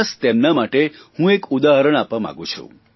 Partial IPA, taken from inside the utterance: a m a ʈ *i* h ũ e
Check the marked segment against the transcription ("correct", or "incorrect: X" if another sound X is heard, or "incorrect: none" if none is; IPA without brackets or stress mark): incorrect: e